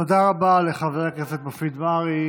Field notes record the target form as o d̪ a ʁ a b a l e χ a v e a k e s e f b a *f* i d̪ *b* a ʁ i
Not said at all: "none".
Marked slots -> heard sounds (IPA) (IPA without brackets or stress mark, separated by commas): f, m